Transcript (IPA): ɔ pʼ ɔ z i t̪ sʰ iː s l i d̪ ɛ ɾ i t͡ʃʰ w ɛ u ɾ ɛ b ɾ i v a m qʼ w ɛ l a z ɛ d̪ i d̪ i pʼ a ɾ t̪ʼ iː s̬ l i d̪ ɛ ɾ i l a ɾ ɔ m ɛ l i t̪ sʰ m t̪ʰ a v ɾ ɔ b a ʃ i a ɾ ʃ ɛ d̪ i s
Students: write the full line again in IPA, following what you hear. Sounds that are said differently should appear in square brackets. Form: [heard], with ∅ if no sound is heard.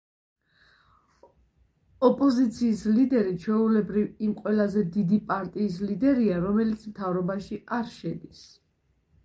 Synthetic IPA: ɔ pʼ ɔ z i t̪ sʰ iː s l i d̪ ɛ ɾ i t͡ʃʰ w ɛ u [l] ɛ b ɾ i v [i] m qʼ w ɛ l a z ɛ d̪ i d̪ i pʼ a ɾ t̪ʼ iː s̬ l i d̪ ɛ ɾ i [∅] a ɾ ɔ m ɛ l i t̪ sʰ m t̪ʰ a v ɾ ɔ b a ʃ i a ɾ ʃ ɛ d̪ i s